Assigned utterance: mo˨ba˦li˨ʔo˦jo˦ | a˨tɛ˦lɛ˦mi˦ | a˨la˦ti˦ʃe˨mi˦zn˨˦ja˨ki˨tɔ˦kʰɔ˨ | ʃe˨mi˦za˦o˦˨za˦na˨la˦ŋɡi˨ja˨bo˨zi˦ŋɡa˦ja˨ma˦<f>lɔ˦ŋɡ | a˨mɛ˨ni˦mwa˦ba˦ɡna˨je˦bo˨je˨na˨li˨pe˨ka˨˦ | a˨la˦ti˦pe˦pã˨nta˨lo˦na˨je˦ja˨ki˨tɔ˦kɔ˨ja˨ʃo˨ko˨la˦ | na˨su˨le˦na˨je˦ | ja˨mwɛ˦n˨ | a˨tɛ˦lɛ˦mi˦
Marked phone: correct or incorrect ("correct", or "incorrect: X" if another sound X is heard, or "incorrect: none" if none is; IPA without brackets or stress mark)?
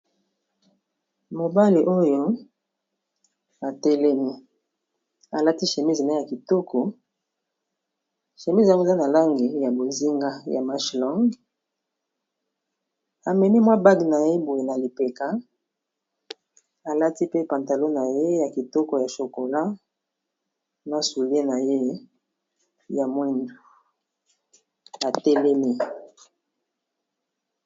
incorrect: ʃ